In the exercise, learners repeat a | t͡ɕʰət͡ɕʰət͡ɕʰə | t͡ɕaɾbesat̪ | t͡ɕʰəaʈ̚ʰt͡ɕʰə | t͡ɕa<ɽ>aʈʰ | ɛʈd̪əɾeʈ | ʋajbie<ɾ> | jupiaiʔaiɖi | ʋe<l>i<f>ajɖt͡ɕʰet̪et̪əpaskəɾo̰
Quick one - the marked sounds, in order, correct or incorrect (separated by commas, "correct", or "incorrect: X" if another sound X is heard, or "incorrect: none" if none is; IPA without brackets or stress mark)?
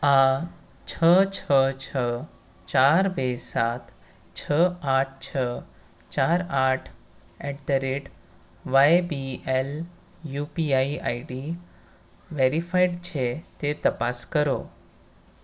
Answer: incorrect: ɾ, incorrect: l, incorrect: ɾ, correct